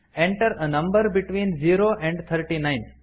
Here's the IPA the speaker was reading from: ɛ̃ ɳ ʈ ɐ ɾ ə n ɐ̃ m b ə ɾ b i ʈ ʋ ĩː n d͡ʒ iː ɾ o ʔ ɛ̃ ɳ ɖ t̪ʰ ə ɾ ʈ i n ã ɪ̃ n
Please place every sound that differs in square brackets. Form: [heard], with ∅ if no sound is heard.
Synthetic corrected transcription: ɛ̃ ɳ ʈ [ə] ɾ ə n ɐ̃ m b ə ɾ b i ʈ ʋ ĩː n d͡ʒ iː ɾ o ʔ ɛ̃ ɳ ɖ t̪ʰ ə ɾ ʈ i n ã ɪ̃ n